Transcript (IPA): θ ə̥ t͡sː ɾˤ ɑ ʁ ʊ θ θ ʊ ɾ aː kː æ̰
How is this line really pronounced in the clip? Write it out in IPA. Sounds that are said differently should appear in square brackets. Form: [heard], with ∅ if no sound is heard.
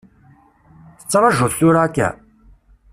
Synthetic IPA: θ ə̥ t͡sː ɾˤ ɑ [ʒ] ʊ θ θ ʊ ɾ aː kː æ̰